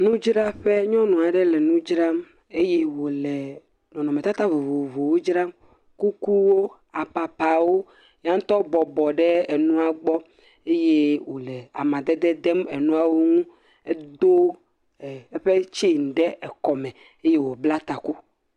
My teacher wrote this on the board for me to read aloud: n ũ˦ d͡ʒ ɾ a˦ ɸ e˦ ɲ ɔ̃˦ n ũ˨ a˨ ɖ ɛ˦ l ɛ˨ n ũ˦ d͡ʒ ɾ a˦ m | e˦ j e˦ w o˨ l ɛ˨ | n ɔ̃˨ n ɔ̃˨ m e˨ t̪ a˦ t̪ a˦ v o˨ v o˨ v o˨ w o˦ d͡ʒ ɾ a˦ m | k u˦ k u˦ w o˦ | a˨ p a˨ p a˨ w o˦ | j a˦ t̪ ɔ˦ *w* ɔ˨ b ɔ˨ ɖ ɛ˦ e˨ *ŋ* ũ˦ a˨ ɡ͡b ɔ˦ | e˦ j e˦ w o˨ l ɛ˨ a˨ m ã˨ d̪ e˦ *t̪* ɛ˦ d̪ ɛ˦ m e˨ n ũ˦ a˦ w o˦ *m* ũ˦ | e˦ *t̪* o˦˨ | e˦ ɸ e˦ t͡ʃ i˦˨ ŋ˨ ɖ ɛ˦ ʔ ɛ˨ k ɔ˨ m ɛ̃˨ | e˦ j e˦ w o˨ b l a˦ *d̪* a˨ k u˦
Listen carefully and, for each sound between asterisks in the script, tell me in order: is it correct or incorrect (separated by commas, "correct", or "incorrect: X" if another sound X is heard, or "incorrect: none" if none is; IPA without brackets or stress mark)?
incorrect: b, incorrect: n, incorrect: d̪, incorrect: ŋ, incorrect: d̪, incorrect: t̪